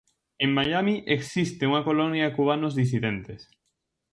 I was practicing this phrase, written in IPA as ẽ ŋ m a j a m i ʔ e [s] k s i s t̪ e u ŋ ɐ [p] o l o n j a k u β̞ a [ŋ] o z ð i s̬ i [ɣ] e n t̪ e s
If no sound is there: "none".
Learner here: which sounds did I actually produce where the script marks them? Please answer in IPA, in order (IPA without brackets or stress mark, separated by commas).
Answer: none, k, n, ð